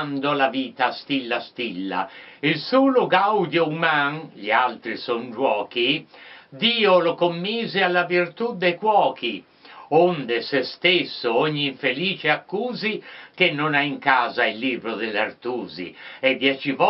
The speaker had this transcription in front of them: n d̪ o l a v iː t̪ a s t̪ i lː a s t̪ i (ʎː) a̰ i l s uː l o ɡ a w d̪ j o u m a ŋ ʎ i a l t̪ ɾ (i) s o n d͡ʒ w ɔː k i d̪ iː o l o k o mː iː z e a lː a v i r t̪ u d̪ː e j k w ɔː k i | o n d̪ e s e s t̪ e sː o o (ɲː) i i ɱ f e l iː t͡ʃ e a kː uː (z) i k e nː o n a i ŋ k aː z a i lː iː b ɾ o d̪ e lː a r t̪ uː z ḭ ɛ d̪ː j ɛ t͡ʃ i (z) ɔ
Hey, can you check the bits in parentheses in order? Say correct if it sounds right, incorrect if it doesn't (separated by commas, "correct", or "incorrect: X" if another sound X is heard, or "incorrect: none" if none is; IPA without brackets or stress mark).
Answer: incorrect: lː, correct, correct, correct, incorrect: v